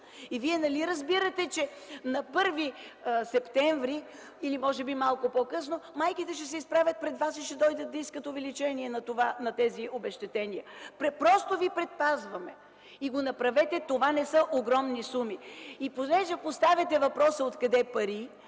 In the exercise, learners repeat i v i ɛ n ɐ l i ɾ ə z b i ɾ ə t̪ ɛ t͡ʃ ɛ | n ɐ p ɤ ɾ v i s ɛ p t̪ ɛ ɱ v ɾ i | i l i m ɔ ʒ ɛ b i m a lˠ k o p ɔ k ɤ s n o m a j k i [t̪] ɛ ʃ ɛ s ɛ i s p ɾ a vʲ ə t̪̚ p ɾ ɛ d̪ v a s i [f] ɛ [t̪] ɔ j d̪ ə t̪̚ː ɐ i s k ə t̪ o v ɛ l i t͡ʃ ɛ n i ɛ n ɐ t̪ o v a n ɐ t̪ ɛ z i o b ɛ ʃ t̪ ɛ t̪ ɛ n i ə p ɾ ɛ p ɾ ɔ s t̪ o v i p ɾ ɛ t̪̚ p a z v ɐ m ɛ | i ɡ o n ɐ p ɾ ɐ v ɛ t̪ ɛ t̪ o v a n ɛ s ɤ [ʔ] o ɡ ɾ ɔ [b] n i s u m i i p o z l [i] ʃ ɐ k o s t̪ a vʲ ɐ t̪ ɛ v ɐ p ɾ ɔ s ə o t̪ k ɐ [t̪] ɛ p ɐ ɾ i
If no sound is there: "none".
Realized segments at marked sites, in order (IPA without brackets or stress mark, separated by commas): t̪, ʃ, d̪, ʔ, m, ɛ, d̪